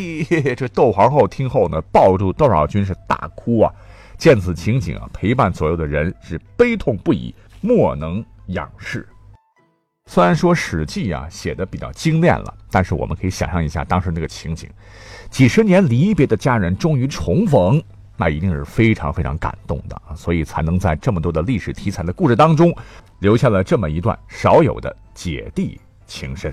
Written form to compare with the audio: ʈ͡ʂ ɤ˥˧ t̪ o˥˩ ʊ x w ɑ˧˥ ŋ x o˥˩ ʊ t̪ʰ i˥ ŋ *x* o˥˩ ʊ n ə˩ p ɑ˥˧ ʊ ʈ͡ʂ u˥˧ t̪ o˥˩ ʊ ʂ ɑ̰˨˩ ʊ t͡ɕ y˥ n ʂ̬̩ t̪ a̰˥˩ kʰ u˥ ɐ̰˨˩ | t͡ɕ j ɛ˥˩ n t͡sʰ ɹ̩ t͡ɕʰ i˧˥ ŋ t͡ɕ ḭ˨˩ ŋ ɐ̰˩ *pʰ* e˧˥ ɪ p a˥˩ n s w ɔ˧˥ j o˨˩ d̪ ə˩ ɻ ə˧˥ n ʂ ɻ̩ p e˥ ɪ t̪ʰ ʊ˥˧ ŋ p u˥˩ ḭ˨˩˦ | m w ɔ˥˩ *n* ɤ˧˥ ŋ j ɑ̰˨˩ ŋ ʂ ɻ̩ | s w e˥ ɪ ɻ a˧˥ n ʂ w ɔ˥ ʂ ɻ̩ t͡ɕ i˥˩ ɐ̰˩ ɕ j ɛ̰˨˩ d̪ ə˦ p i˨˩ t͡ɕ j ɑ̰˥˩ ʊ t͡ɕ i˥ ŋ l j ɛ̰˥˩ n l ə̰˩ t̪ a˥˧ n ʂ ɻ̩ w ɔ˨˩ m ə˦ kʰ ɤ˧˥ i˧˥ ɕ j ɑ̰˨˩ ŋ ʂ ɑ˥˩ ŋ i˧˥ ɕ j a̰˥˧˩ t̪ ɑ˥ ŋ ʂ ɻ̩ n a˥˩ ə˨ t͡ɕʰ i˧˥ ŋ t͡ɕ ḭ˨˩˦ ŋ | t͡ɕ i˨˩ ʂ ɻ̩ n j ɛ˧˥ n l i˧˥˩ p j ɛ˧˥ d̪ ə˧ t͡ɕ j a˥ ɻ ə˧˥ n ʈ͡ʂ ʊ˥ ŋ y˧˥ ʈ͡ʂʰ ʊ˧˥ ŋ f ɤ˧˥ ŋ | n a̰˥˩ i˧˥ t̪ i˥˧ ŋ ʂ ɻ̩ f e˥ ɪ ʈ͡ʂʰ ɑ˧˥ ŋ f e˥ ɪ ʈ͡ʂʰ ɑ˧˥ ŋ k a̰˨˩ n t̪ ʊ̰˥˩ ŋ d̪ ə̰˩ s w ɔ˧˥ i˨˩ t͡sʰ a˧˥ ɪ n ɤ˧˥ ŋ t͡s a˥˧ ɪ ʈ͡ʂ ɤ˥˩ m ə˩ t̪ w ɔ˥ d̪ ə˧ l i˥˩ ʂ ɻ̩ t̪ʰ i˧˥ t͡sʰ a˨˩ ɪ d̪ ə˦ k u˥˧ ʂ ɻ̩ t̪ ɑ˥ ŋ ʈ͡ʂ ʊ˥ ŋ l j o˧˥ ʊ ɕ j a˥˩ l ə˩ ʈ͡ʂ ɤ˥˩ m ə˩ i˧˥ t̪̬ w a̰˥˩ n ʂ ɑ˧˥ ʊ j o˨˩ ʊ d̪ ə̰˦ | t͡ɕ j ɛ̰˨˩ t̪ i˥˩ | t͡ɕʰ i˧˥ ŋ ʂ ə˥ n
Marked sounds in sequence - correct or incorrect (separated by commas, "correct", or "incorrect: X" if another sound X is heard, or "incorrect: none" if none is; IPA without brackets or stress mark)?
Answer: correct, correct, correct